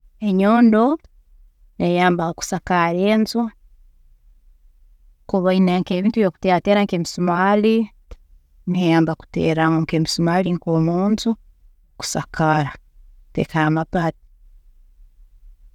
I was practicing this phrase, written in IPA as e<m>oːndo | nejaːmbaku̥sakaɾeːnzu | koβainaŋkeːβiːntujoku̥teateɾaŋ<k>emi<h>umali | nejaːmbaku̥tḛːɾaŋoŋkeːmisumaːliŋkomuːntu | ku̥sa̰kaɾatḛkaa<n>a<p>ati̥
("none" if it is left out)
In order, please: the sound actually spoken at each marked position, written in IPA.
ɲ, k, s, m, p

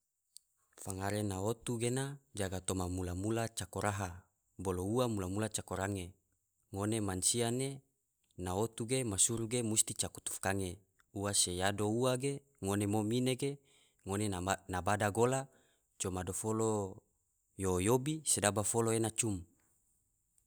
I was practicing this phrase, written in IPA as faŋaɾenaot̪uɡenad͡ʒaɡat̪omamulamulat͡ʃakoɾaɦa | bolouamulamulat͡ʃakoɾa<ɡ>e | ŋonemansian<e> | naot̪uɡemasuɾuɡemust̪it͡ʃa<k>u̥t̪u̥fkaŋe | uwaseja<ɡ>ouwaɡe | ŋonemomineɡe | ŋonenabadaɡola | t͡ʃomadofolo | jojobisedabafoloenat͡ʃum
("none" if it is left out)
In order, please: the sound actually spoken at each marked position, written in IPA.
ŋ, e, k, d

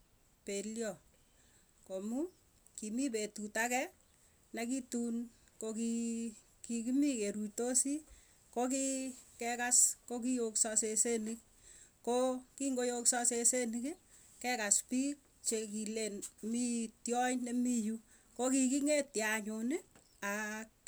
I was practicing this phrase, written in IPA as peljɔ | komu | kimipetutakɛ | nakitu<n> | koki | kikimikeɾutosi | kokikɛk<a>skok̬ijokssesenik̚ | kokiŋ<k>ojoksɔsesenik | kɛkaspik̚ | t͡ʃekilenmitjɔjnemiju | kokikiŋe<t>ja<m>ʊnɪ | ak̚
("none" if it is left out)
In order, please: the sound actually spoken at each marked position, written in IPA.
n, a, ɡ, t, ɲ

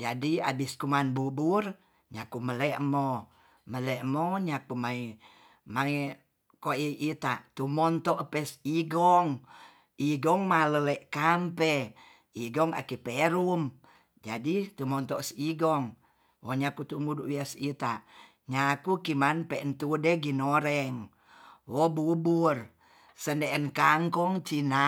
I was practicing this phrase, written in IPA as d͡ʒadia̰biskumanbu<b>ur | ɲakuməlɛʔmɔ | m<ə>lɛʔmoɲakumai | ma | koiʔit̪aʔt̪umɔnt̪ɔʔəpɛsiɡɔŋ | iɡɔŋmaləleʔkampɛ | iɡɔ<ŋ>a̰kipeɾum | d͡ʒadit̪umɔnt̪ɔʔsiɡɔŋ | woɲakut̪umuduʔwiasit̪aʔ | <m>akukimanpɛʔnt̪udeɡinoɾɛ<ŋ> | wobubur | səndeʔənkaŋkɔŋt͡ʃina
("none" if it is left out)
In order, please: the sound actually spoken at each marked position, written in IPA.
b, ə, ŋ, ɲ, ŋ

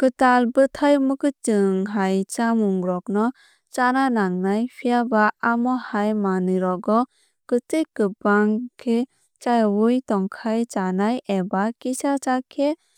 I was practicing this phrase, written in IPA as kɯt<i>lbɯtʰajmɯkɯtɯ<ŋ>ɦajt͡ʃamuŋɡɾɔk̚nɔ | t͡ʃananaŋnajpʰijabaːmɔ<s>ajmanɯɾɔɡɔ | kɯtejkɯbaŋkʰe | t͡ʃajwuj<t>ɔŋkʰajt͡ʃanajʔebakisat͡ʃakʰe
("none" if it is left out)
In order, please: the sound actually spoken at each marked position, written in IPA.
a, ŋ, h, t

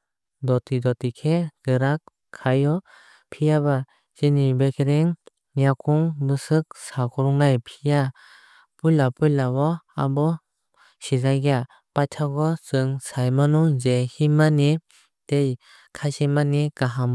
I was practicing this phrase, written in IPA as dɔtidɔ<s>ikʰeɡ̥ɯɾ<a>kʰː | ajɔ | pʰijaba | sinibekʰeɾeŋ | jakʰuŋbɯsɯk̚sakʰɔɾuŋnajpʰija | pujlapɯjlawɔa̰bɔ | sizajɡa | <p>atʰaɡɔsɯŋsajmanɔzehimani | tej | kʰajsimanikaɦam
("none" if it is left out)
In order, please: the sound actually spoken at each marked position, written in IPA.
t, a, p

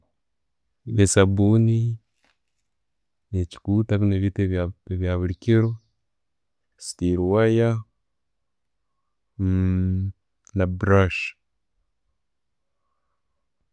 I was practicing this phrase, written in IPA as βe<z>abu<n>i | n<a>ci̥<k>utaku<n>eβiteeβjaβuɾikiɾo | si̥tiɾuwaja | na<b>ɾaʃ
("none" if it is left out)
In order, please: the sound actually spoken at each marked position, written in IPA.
s, n, e, k, n, b

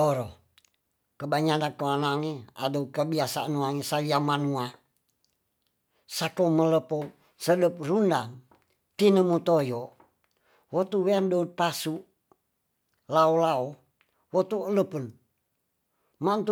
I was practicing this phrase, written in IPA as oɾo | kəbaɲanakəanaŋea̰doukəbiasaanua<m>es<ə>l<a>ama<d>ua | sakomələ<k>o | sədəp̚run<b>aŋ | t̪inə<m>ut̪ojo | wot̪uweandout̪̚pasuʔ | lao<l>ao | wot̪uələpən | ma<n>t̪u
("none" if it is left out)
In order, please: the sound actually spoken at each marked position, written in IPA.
ŋ, a, i, n, p, d, m, l, n

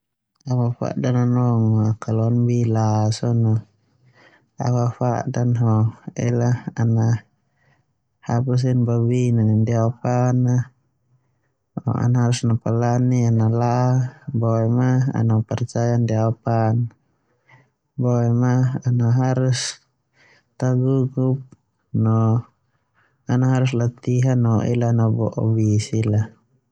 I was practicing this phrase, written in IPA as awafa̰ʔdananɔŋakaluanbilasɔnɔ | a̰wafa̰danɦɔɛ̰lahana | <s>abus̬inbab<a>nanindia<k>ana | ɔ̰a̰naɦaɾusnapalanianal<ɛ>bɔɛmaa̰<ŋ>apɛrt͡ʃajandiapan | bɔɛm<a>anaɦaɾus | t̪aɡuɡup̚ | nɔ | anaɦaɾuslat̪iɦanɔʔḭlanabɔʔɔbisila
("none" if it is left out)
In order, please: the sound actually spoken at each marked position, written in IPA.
h, i, p, a, n, a

